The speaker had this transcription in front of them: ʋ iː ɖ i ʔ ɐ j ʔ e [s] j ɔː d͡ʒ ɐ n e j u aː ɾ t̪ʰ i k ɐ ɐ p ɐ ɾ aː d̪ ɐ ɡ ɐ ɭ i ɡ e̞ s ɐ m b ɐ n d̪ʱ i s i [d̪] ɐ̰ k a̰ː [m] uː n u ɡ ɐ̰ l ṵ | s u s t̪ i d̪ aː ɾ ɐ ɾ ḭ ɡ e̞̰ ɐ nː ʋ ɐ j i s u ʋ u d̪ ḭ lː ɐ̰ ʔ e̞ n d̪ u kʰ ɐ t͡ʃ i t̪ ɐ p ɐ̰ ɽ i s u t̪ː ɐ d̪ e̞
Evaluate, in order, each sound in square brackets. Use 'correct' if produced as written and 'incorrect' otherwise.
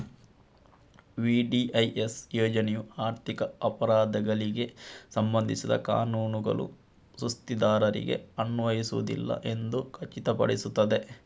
correct, correct, incorrect: n

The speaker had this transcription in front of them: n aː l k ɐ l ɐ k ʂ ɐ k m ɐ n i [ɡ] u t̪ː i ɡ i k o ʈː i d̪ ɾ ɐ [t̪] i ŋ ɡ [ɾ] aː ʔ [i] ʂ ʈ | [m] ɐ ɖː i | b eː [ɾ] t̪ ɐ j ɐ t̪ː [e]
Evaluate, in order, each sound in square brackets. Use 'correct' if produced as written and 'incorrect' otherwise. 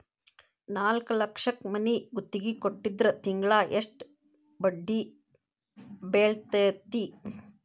correct, correct, incorrect: ɭ, incorrect: e, incorrect: b, incorrect: ɭ, incorrect: i

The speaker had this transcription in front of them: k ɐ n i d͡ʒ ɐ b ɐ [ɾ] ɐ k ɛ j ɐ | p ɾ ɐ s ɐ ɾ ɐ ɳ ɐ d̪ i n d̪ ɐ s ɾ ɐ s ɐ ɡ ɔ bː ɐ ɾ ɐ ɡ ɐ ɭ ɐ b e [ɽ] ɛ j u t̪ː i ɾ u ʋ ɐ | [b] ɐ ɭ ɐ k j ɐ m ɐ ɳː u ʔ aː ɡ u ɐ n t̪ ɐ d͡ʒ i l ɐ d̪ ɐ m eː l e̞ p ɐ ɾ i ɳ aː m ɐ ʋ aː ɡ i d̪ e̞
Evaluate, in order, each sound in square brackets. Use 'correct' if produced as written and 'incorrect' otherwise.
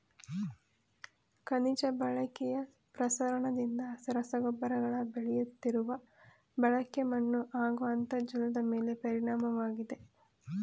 incorrect: ɭ, incorrect: ɭ, correct

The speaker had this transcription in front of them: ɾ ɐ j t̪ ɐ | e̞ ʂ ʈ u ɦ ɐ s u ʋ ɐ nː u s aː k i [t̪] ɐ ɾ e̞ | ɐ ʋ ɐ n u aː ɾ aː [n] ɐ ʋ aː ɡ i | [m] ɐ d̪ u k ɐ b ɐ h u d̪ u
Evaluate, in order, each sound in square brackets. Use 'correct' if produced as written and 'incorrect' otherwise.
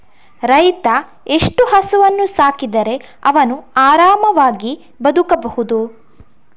incorrect: d̪, incorrect: m, incorrect: b

